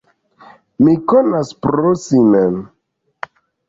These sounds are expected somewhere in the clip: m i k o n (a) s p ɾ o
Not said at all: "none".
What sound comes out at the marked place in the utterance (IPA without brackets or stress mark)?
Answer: a